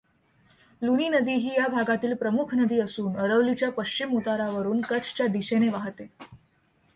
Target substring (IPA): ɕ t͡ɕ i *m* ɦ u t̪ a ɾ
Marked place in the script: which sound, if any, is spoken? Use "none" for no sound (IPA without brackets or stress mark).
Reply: m